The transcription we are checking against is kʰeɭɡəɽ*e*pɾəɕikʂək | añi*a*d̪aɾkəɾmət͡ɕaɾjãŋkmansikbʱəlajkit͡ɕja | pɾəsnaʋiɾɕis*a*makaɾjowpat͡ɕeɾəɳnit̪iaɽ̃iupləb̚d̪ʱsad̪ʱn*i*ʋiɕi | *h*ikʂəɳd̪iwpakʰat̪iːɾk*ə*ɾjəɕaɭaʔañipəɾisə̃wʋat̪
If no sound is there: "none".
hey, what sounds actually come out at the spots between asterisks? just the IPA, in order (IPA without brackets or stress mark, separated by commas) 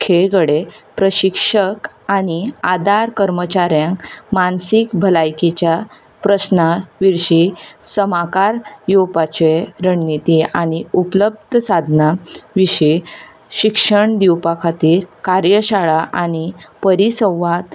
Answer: e, a, ə, a, ɕ, a